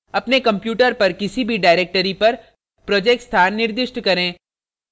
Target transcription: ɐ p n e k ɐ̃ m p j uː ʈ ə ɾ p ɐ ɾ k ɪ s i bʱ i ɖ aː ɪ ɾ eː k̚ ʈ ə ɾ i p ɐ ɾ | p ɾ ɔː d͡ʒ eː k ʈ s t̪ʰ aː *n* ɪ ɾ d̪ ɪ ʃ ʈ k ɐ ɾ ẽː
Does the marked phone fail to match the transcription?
yes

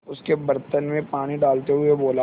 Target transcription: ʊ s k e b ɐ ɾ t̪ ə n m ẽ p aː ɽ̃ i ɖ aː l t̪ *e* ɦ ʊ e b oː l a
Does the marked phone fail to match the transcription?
no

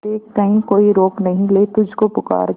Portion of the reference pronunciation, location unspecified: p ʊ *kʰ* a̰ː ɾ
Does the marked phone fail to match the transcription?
yes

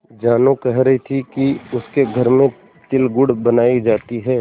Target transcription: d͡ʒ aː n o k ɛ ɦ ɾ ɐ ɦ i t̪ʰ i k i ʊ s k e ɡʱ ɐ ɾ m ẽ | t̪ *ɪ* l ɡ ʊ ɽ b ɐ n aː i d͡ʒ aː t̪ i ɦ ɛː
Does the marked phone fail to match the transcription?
no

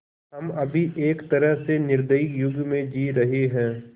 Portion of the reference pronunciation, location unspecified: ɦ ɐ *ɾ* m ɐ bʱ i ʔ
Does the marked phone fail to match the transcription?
yes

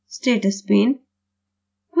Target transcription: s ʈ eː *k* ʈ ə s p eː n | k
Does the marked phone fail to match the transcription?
yes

